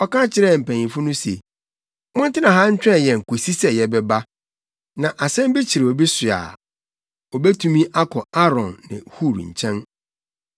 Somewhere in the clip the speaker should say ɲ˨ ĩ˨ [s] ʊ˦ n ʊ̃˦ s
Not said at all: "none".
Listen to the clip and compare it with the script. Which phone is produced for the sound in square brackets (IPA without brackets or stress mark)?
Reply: f